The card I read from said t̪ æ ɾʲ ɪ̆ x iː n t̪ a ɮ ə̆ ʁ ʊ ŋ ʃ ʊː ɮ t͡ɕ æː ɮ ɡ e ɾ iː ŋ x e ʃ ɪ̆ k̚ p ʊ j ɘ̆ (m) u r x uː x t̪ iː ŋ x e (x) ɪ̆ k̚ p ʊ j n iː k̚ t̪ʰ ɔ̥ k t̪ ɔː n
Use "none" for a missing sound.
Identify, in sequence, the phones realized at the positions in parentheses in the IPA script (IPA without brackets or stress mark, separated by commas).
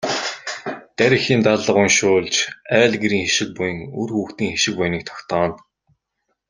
ŋ, ʃ